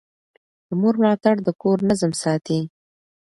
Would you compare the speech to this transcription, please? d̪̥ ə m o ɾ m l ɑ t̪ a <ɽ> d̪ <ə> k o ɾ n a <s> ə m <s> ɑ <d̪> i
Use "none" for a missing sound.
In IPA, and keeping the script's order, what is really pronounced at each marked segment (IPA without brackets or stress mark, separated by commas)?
ɽ, ə, z, s, t̪